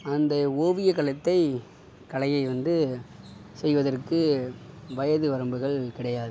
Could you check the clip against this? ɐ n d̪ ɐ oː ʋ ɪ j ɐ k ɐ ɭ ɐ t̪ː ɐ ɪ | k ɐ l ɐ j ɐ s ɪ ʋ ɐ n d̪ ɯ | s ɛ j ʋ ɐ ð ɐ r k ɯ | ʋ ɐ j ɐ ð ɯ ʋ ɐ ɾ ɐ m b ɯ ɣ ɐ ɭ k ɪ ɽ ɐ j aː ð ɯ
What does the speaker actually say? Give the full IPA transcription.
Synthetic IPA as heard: ɐ n d̪ ɐ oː ʋ ɪ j ɐ k ɐ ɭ ɐ t̪ː ɐ ɪ | k ɐ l ɐ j ɐ ɪ ʋ ɐ n d̪ ɯ | s ɛ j ʋ ɐ ð ɐ r k ɯ | ʋ ɐ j ɐ ð ɯ ʋ ɐ ɾ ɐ m b ɯ ɣ ɐ ɭ k ɪ ɽ ɐ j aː ð ɯ